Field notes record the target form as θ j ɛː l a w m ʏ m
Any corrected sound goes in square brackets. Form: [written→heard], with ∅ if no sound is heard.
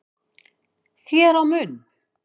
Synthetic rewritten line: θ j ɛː [l→ɾ] a w m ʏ [m→n]